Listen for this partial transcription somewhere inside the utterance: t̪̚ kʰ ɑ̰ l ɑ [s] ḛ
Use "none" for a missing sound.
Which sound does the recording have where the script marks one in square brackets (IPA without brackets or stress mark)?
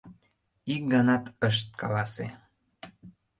s